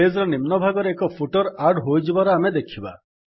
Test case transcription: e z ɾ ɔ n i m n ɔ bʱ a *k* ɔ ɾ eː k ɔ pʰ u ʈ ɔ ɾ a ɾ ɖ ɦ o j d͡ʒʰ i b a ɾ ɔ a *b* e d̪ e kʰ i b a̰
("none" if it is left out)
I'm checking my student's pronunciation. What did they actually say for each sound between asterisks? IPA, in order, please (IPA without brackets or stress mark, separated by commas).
ɡ, m